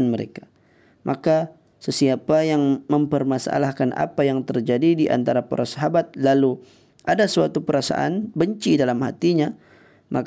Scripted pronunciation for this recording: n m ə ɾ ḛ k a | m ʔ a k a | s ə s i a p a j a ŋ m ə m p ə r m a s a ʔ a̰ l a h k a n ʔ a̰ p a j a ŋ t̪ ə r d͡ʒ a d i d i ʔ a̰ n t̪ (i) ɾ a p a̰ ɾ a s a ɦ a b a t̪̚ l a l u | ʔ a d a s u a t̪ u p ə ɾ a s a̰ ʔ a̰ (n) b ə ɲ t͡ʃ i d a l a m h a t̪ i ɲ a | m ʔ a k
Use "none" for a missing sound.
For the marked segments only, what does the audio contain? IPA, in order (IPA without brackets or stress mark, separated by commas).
a, n